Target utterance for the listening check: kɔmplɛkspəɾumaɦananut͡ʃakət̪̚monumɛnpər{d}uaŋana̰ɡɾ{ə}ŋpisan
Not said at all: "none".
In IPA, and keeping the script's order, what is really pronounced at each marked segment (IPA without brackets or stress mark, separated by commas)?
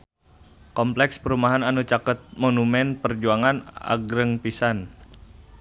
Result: d͡ʒ, ə